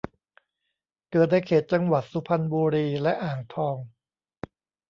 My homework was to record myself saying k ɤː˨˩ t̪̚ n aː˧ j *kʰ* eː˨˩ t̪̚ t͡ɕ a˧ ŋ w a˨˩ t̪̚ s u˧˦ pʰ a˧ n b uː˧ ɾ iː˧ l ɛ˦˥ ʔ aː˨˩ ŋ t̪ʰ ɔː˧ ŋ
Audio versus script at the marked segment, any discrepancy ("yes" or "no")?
no